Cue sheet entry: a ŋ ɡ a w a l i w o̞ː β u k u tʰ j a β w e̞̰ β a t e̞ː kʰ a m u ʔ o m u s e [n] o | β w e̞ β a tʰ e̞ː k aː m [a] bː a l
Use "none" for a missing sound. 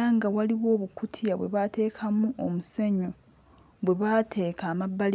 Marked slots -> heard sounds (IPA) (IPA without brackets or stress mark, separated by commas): ɲ, a